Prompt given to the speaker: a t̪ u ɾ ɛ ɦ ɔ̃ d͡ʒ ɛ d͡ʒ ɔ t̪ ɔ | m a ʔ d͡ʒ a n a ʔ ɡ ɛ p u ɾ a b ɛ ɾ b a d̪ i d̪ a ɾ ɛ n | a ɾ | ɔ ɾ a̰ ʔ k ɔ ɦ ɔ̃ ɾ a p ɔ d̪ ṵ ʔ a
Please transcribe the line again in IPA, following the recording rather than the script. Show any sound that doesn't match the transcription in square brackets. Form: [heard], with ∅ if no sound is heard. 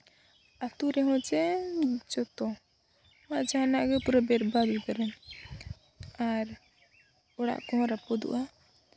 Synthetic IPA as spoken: a t̪ u ɾ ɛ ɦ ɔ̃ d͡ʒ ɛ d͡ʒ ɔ t̪ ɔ | m a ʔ d͡ʒ a n a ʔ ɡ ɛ p u ɾ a b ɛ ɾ b a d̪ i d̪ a ɾ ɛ n | a ɾ | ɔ [ɽ] a̰ ʔ k ɔ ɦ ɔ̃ ɾ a p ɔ d̪ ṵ ʔ a